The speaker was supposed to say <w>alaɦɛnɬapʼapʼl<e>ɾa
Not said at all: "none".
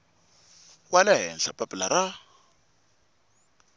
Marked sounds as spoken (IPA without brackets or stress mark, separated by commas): w, a